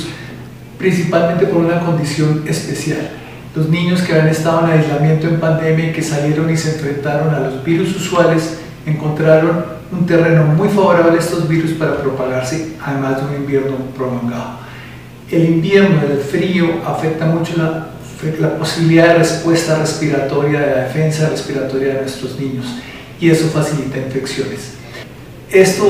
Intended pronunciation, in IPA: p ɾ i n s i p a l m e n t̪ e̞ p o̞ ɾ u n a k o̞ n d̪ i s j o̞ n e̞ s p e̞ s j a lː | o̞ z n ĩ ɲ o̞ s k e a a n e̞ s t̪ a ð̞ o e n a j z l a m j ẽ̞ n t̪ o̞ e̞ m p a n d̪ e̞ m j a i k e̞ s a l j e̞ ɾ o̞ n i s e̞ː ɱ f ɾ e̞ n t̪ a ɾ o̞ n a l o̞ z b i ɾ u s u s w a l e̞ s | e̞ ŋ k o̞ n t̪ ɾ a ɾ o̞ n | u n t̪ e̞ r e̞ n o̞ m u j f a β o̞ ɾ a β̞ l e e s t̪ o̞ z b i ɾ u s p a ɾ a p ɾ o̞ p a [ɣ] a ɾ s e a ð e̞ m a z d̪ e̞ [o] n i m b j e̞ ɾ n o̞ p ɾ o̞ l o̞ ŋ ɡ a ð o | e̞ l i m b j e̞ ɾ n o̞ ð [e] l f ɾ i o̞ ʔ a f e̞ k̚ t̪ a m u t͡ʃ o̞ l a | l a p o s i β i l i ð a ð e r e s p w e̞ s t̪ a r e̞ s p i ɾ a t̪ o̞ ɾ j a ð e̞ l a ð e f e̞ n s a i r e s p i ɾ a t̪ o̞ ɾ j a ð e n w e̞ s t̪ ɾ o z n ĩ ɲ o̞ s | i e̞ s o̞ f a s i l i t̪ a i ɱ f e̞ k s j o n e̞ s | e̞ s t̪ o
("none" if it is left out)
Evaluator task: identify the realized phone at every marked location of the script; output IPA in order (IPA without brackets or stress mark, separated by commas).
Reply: ɣ, u, e